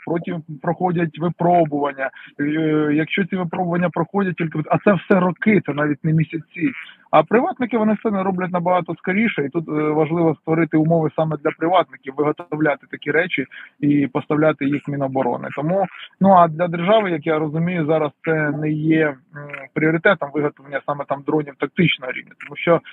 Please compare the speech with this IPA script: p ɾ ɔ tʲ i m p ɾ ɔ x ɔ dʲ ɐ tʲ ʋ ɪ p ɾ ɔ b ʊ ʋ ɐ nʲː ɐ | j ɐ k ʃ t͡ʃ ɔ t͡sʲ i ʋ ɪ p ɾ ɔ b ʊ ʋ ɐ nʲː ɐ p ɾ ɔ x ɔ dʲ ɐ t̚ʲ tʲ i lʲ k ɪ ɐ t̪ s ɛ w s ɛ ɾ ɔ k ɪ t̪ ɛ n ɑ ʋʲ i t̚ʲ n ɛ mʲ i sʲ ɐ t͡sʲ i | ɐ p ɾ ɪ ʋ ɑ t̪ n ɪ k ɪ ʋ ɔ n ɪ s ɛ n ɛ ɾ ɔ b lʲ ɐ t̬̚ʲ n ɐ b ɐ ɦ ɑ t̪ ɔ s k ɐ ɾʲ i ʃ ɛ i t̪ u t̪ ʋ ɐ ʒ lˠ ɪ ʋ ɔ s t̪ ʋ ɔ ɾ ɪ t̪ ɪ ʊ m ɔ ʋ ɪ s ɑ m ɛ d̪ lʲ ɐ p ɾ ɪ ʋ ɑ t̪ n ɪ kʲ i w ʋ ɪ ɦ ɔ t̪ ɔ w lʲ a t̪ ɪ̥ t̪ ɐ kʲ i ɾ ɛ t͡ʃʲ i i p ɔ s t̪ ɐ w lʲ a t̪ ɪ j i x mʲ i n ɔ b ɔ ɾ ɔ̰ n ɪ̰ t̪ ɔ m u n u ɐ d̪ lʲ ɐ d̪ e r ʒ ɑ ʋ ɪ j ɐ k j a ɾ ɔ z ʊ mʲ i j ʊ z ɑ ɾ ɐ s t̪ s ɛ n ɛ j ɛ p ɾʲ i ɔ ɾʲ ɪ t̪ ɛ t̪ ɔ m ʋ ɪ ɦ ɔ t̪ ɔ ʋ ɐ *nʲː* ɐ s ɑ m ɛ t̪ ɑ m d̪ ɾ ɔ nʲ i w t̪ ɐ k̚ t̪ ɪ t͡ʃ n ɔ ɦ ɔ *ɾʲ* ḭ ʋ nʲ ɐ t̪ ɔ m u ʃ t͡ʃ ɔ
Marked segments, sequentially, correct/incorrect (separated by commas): correct, correct